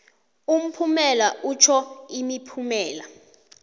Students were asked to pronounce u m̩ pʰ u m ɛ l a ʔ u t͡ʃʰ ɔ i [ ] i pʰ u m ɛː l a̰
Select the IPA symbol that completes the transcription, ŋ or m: m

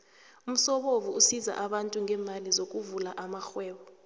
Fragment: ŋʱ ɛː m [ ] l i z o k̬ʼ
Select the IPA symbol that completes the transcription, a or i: a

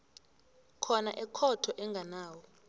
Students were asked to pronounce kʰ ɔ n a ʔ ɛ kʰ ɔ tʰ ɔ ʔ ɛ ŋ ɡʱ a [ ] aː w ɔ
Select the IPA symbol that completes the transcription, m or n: n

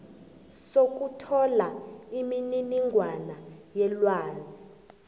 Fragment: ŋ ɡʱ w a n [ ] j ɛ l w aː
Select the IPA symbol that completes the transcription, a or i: a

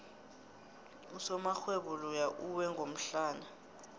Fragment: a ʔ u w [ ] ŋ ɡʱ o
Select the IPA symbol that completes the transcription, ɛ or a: ɛ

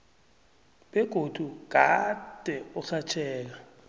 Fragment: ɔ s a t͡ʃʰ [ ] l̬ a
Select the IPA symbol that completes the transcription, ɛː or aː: ɛː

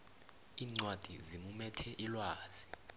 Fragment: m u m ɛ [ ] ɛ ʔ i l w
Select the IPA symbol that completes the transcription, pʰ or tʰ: tʰ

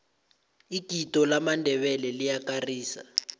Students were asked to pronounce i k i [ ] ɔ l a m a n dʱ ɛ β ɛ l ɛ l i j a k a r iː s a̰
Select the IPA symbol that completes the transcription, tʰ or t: t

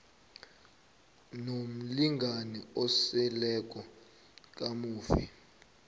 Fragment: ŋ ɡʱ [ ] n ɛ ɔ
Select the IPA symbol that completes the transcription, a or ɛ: a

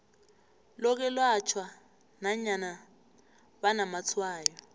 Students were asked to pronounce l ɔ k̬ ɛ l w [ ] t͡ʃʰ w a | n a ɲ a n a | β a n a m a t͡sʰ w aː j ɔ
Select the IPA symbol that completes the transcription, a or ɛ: a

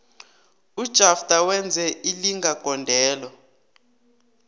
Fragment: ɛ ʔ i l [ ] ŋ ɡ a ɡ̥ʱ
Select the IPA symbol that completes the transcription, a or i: i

